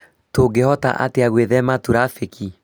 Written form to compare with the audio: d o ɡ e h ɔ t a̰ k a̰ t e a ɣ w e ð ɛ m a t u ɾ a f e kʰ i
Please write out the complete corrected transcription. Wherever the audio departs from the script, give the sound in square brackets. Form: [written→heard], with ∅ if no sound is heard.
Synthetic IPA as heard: [d→t] o ɡ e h ɔ t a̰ [k→ʔ] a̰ t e a ɣ w e ð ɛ m a t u ɾ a f e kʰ i